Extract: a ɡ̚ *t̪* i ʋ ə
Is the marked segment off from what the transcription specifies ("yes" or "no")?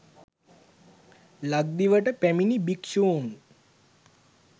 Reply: yes